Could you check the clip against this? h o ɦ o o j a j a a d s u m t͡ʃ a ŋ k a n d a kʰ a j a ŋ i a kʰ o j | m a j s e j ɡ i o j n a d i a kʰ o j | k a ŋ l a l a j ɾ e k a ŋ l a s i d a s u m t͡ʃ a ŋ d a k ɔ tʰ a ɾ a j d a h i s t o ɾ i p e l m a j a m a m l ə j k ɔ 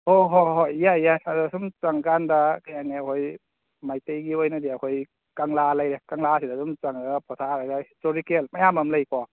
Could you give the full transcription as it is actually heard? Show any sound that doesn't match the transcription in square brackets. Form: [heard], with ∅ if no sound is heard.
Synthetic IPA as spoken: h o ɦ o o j a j a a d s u m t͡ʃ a ŋ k a n d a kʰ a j a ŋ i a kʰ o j | m a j [t] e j ɡ i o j n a d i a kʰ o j | k a ŋ l a l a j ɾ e k a ŋ l a s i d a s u m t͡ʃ a ŋ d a [p] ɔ tʰ a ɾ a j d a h i s t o ɾ i [k] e l m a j a m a m l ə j k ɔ